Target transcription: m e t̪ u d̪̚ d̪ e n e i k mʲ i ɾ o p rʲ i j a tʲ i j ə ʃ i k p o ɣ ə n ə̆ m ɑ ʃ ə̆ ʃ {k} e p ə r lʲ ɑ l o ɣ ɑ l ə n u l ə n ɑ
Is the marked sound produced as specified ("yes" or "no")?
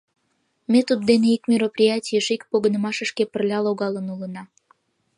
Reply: yes